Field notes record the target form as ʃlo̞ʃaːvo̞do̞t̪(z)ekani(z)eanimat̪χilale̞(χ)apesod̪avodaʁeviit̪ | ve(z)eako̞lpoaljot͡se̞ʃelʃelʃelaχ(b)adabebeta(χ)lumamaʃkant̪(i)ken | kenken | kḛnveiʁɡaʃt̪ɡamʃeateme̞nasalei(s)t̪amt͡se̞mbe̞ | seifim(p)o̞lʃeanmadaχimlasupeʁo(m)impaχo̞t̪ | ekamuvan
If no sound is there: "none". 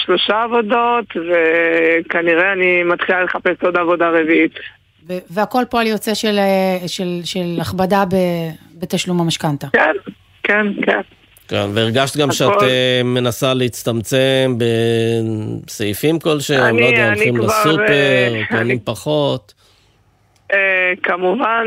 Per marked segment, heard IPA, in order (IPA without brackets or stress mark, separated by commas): v, ʁ, χ, v, b, ʃ, a, t͡s, k, n